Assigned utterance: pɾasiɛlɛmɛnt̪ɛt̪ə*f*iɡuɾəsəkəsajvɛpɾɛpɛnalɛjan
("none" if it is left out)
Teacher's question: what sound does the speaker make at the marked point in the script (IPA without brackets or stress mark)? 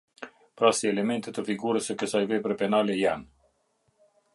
f